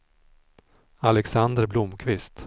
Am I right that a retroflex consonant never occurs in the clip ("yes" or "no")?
yes